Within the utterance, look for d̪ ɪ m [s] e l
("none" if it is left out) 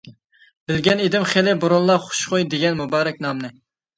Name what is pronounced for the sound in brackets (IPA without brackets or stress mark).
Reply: χ